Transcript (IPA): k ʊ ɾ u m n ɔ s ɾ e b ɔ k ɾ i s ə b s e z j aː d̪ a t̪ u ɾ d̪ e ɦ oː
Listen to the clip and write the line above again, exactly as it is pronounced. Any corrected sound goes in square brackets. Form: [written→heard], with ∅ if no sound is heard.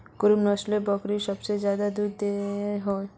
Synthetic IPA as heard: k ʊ ɾ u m n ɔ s [ɾ→l] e b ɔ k ɾ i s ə b s e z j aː d̪ a [t̪→d̪] u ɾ d̪ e ɦ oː